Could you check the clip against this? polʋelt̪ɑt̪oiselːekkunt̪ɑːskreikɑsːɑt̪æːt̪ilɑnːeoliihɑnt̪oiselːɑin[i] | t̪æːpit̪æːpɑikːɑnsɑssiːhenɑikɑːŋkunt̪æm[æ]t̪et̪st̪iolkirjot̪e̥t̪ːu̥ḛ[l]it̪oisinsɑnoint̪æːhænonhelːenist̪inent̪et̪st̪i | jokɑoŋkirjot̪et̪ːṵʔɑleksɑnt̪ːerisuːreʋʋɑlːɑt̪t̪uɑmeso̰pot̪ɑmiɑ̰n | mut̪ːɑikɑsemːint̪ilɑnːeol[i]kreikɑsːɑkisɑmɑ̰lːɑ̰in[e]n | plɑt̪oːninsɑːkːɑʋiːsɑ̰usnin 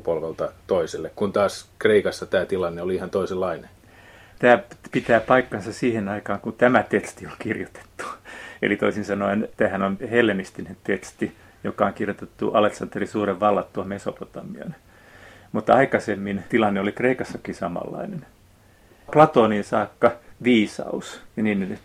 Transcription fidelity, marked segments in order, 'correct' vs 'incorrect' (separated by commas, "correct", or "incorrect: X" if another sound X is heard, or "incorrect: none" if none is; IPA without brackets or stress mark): incorrect: e, correct, correct, correct, correct